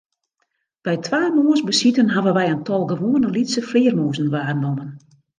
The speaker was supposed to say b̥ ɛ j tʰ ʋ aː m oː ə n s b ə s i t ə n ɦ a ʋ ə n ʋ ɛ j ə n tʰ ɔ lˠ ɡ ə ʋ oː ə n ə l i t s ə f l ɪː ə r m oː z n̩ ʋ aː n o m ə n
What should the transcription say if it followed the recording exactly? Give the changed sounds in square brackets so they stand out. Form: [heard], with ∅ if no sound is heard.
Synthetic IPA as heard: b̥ ɛ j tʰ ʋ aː m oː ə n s b ə s i t ə n ɦ a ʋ ə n ʋ ɛ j ə n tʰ ɔ lˠ ɡ ə ʋ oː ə n ə l i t s ə f l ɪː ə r m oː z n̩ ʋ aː n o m ə n